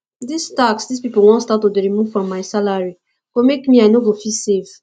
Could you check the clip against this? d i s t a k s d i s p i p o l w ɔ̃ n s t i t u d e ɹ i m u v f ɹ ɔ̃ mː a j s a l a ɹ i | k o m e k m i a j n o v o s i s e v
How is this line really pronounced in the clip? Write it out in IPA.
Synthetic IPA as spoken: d i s t a k s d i s p i p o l w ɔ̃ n s t a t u d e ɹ i m u v f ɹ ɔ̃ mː a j s a l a ɹ i | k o m e k m i a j n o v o f i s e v